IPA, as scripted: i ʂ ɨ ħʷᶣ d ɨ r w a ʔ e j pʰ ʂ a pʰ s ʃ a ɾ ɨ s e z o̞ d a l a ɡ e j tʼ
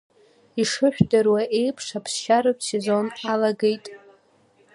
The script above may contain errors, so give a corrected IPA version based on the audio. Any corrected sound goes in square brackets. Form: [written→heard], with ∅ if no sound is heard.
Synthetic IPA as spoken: i ʂ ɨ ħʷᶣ d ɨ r w a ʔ e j pʰ ʂ a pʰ s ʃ a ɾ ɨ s e z o̞ [d→n] a l a ɡ e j tʼ